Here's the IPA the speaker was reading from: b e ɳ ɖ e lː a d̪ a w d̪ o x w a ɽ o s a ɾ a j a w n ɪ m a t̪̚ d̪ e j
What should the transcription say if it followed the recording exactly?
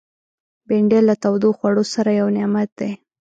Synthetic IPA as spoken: b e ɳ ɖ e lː a t̪ a w d̪ o x w a ɽ o s a ɾ a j a w n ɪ m a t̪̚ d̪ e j